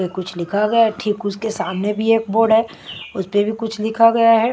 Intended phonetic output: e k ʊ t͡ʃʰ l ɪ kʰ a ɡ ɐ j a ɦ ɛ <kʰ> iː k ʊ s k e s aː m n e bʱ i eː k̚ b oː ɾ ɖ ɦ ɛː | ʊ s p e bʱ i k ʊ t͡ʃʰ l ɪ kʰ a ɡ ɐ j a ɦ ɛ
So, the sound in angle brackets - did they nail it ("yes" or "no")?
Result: no